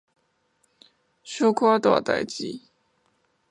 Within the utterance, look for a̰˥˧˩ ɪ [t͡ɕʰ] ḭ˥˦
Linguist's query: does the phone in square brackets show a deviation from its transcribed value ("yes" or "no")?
yes